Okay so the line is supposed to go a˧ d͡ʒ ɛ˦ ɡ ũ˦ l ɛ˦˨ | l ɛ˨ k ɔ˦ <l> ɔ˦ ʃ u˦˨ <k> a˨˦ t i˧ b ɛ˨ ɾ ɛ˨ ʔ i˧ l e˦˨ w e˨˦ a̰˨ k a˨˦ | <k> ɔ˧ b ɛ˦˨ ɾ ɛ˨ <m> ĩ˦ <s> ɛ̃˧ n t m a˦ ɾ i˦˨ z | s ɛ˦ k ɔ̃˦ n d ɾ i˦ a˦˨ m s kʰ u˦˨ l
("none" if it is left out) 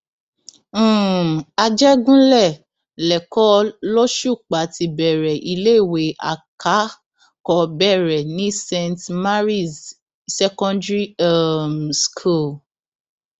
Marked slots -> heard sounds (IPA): l, k͡p, k, n, s

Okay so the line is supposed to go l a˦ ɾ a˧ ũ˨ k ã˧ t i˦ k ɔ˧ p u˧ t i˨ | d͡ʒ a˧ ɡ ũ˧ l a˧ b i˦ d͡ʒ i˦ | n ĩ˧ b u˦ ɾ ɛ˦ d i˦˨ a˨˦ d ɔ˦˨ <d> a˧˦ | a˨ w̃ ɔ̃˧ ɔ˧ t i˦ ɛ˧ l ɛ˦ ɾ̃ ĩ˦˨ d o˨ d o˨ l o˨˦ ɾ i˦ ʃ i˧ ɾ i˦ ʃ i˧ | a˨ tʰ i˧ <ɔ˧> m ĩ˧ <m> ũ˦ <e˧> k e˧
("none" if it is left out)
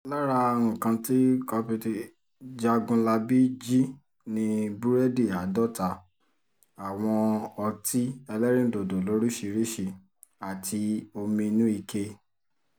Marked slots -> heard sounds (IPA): t, o˧, n, i˧

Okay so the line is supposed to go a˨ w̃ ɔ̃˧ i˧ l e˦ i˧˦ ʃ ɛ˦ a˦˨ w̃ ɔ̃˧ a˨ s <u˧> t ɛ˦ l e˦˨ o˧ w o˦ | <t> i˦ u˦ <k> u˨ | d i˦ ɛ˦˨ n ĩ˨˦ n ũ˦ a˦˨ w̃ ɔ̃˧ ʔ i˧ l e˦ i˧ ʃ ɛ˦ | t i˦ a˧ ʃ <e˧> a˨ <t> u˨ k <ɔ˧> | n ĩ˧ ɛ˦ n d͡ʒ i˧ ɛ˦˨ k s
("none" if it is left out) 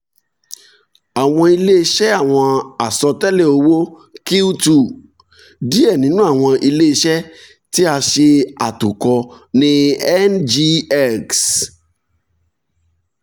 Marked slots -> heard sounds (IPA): ɔ˧, k, t, e˧, t, ɔ˧

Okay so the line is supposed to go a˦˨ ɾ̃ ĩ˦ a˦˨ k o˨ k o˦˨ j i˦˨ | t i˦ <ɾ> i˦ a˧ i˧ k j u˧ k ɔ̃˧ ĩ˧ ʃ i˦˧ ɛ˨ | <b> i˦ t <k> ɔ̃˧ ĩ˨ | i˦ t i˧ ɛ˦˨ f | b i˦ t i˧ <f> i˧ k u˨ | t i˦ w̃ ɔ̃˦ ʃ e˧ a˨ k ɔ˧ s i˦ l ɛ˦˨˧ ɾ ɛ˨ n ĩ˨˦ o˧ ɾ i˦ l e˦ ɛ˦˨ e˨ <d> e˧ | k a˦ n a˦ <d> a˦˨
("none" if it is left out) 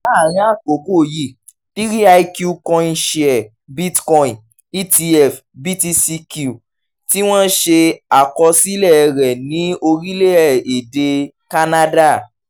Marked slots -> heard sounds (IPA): ɾ, b, k, s, d, d

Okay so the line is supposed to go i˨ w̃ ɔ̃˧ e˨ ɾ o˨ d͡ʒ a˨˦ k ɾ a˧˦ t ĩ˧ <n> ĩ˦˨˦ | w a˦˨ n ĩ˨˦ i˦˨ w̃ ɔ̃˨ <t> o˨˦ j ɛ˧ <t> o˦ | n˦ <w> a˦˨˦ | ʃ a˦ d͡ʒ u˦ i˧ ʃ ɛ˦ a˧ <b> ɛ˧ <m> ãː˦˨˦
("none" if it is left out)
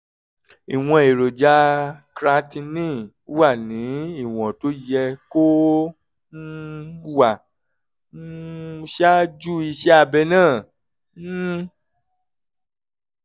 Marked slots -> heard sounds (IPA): n, t, k, w, b, n

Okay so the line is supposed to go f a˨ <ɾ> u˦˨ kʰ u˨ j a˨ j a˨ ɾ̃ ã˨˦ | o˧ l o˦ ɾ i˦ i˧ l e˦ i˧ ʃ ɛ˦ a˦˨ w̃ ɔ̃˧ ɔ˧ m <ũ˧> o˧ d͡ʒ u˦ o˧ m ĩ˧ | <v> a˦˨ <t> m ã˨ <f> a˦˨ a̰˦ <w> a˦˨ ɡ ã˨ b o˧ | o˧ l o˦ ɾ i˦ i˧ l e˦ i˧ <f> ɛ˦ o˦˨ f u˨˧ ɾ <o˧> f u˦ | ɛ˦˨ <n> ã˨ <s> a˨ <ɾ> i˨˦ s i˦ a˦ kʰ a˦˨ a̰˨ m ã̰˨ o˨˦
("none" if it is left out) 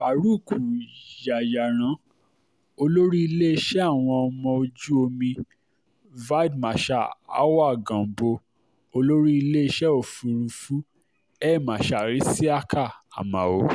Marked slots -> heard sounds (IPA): ɾ, ɔ̃˧, v, d, ʃ, w, ʃ, u˧, m, ʃ, ɾ

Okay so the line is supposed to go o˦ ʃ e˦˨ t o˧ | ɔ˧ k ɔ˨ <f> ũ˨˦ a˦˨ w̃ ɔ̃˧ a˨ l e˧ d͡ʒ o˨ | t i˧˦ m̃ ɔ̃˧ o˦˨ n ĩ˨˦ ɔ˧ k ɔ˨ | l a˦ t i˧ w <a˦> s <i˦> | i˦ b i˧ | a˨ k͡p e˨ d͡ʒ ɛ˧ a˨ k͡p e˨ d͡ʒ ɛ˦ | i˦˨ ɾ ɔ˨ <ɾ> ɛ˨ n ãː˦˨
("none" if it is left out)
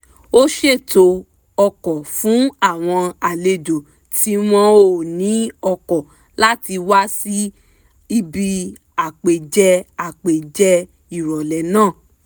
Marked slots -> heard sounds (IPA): f, a˦, i˦, l

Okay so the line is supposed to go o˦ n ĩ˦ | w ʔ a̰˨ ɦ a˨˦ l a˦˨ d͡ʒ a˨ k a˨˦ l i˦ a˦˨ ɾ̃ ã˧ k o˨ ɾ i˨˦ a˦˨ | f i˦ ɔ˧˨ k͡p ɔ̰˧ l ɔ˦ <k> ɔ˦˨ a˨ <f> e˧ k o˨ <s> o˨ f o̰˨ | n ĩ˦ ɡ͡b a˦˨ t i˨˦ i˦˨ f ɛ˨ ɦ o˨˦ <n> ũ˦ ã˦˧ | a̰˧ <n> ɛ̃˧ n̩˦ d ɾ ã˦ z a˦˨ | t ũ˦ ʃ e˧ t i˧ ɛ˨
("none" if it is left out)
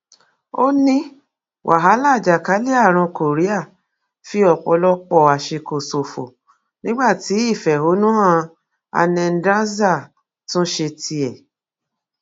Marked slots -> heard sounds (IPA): k͡p, ʃ, s, n, n

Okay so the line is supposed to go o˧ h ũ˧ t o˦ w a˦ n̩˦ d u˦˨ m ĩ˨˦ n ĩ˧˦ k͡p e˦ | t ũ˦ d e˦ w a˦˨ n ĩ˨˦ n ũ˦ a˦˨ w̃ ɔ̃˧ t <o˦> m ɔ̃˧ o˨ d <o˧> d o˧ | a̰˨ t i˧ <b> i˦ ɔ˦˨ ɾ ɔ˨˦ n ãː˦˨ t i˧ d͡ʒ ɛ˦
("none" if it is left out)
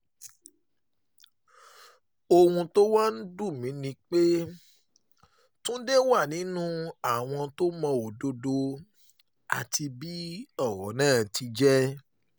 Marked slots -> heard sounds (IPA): o˦, o˧, b

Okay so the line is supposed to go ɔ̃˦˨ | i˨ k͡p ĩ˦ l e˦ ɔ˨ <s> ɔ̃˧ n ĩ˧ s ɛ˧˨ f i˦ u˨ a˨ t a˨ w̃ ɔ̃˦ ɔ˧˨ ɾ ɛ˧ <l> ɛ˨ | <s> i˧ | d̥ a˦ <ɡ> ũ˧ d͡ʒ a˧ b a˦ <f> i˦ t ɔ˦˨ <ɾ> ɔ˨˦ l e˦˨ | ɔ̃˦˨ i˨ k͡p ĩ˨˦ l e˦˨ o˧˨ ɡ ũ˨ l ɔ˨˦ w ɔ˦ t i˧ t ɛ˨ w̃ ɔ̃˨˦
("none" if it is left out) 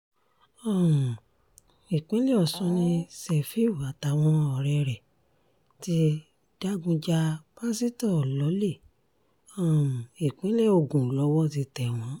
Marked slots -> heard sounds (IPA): s, ɾ, t, ɡ, s, l

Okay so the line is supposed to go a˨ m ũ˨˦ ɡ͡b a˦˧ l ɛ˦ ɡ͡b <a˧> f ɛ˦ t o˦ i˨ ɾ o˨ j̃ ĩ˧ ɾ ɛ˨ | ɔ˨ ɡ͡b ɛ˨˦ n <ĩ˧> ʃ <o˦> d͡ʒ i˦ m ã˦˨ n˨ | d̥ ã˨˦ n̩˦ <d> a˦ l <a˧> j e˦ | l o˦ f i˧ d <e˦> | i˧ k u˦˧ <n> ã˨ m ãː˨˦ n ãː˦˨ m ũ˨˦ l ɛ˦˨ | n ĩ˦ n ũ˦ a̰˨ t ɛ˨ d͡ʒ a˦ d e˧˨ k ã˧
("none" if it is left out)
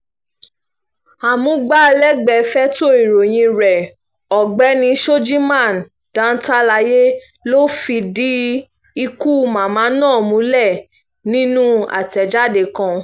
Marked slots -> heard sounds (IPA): ɛ˧, ĩ˧, o˦, t, a˧, i˦, m

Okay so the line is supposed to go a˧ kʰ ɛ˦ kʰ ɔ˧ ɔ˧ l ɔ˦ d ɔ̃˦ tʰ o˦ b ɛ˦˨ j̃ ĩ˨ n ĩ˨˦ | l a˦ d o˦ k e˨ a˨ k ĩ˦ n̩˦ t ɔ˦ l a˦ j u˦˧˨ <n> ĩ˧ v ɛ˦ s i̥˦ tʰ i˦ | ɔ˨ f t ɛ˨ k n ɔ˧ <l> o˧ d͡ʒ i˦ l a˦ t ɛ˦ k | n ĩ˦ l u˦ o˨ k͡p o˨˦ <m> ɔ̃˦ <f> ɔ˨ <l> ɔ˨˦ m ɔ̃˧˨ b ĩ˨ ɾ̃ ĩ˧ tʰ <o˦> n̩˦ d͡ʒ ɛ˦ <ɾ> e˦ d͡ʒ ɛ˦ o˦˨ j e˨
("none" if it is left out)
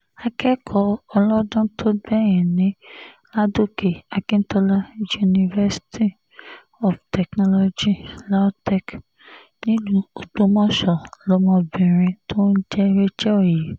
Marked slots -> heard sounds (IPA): n, l, m, ʃ, l, o˦, ɾ

